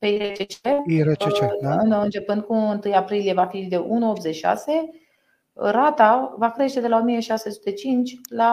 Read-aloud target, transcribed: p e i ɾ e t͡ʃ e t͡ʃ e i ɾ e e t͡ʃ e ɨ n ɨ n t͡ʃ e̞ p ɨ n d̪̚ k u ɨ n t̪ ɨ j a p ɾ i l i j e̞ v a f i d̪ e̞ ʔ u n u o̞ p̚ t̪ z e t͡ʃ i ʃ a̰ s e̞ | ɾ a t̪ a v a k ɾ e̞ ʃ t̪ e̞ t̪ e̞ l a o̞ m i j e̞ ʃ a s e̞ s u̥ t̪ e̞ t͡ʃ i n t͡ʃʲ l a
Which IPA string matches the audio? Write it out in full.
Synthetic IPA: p e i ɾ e t͡ʃ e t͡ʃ e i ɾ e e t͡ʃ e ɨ n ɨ n t͡ʃ e̞ p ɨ n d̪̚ k u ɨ n t̪ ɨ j a p ɾ i l i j e̞ v a f i d̪ e̞ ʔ u n u o̞ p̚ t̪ z e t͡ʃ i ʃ a̰ s e̞ | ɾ a t̪ a v a k ɾ e̞ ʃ t̪ e̞ d̪ e̞ l a o̞ m i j e̞ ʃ a s e̞ s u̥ t̪ e̞ t͡ʃ i n t͡ʃʲ l a